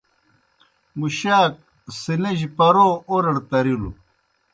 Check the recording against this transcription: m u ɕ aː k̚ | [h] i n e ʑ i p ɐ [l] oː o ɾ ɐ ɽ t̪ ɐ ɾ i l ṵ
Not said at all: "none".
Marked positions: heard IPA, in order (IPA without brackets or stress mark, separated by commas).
s, ɾ